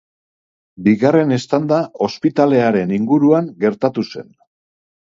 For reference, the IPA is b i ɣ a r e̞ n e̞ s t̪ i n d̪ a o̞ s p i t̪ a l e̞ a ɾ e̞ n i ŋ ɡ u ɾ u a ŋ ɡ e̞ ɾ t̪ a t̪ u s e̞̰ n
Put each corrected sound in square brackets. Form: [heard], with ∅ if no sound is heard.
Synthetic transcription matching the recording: b i ɣ a r e̞ n e̞ s t̪ [a] n d̪ a o̞ s p i t̪ a l e̞ a ɾ e̞ n i ŋ ɡ u ɾ u a ŋ ɡ e̞ ɾ t̪ a t̪ u s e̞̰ n